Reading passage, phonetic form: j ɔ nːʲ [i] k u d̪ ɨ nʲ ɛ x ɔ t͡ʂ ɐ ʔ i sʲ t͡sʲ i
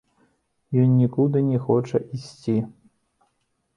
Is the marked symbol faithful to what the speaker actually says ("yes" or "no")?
yes